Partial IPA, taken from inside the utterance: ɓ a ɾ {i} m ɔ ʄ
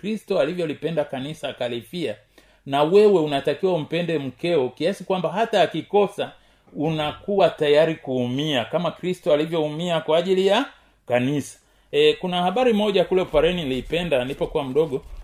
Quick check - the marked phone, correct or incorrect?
correct